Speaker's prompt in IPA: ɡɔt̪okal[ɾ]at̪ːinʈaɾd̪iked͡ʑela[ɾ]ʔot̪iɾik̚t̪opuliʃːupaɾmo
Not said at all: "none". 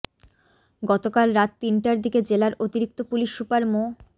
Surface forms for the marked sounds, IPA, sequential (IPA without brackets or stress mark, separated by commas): ɾ, ɾ